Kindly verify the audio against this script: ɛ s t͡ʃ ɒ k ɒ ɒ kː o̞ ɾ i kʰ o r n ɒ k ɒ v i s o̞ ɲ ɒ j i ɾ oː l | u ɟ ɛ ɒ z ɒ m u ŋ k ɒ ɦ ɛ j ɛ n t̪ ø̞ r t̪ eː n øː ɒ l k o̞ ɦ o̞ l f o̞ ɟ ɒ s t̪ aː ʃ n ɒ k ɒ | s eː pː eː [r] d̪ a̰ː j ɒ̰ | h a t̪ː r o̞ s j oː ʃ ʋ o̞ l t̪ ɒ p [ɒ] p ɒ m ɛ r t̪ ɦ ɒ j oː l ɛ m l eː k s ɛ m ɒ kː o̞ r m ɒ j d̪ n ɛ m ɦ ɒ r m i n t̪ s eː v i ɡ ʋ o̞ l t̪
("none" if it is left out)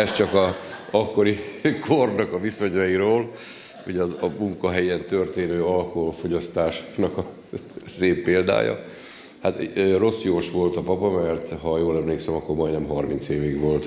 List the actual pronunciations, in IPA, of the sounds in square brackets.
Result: l, ɒ

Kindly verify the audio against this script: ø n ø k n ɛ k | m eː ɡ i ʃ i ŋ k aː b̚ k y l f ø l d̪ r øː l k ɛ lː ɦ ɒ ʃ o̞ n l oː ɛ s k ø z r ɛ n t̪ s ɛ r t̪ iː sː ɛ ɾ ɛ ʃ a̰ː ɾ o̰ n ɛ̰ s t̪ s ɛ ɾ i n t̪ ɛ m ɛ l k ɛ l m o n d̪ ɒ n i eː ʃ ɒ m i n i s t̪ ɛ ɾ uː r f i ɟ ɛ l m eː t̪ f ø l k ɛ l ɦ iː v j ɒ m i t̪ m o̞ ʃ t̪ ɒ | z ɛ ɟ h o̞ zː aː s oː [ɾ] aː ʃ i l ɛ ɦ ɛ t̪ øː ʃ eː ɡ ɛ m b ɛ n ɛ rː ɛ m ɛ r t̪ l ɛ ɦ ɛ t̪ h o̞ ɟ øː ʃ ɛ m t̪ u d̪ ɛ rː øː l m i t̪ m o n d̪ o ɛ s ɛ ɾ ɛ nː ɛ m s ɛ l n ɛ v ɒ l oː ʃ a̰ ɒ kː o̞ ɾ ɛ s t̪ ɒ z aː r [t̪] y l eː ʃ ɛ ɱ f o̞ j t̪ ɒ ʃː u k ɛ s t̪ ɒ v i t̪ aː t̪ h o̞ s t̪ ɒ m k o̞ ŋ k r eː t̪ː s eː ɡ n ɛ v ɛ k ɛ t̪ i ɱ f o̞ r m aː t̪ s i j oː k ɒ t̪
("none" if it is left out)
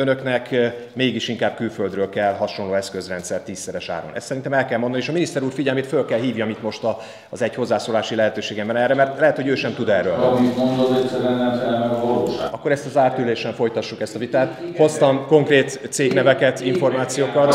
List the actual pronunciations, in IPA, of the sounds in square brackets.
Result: l, t̪

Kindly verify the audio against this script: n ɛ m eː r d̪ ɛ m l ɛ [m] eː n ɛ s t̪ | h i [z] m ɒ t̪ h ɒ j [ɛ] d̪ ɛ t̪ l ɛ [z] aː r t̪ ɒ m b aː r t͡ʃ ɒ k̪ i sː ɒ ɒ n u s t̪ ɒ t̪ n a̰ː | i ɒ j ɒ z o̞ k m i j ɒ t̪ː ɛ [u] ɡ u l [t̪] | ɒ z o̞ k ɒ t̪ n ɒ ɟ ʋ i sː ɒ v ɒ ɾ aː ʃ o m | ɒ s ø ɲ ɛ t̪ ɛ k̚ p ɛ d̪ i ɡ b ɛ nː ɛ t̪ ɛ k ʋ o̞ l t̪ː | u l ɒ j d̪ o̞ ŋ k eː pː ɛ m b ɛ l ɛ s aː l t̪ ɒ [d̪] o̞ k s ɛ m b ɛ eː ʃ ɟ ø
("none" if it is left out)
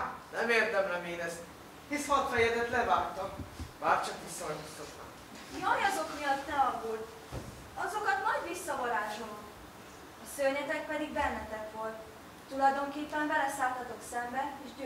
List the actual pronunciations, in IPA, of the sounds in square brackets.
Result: m, s, ɛ, v, ɒ, t̪, t̪

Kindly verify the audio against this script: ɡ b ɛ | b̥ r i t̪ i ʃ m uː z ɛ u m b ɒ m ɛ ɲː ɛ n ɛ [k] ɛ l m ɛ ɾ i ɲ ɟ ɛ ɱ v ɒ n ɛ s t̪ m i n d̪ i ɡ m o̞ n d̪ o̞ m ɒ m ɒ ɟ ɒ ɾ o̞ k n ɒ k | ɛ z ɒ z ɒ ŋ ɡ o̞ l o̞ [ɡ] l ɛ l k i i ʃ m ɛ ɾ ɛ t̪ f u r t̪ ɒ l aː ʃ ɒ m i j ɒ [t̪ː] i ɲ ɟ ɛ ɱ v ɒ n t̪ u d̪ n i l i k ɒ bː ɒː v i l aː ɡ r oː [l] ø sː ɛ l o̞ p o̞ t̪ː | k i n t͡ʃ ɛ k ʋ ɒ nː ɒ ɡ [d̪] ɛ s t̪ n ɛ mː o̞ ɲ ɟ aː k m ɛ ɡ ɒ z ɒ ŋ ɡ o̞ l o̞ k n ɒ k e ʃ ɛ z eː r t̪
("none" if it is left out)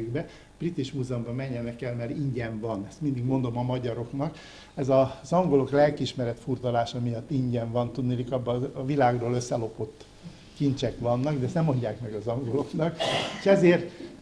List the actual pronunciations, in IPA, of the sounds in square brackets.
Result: k, k, t̪ː, l, d̪

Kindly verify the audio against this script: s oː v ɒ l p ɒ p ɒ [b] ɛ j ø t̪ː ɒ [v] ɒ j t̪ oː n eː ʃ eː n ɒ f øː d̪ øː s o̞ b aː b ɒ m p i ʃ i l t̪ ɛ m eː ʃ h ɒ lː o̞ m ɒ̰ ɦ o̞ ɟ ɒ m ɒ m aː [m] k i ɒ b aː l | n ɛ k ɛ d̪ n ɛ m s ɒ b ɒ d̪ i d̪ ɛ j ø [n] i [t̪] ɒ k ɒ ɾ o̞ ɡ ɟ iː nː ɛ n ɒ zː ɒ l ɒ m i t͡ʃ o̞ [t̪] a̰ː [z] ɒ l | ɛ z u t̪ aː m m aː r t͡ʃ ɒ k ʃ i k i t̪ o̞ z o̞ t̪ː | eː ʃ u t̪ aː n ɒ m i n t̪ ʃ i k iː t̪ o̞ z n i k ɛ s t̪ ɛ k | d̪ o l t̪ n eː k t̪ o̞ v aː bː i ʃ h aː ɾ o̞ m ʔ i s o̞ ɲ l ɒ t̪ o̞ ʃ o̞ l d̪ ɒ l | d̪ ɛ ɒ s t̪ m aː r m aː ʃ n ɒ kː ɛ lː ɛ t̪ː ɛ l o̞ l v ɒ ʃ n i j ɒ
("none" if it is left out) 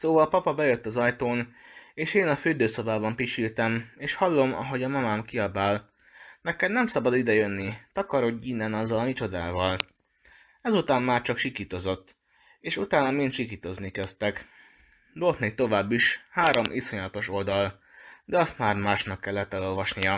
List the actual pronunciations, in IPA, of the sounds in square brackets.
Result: b, z, m, nː, t̪, d̪, v

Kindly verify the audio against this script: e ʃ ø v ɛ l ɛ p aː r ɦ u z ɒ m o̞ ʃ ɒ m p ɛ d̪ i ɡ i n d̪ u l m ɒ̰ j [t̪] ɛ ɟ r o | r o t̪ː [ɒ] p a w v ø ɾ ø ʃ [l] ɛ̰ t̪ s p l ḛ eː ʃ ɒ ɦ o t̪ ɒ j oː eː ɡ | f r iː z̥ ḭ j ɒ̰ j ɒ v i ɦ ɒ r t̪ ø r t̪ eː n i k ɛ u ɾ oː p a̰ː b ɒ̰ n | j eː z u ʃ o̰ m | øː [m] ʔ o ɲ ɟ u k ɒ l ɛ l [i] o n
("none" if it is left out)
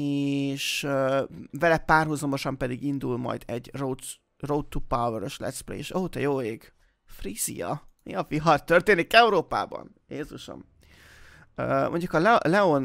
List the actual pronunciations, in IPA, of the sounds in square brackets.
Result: d̪, u, l, m, ɛ

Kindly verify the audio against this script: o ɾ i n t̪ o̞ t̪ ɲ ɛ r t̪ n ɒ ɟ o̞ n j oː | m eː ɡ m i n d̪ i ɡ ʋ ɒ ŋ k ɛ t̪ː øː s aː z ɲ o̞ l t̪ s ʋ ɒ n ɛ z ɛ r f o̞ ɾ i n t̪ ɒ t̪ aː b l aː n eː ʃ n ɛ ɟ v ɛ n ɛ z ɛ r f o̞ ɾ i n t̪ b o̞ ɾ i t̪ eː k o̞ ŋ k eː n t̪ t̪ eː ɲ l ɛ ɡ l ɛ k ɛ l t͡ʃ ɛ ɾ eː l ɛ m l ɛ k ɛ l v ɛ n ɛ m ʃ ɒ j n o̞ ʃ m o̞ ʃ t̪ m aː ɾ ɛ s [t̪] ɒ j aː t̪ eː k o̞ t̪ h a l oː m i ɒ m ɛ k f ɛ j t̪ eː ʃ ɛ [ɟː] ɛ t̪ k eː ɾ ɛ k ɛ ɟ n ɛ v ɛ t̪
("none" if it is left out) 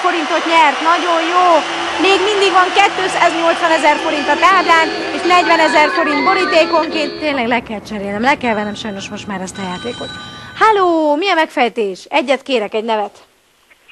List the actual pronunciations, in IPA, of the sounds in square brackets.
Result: t̪, ɟː

